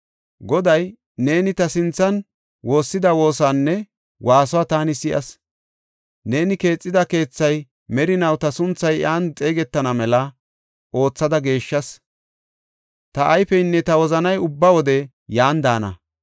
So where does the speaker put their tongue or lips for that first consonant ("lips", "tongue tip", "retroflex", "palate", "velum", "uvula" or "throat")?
velum